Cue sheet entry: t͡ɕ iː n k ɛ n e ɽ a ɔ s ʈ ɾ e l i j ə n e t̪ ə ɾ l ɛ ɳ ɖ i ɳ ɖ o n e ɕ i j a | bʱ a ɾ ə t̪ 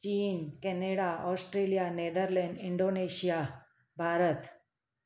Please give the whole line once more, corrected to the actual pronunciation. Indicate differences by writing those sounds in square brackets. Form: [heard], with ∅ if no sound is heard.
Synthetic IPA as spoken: t͡ɕ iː n k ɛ n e ɽ a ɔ s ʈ ɾ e l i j [a] n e [d̪] ə ɾ l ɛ ɳ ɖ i ɳ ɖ o n e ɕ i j a | bʱ a ɾ ə t̪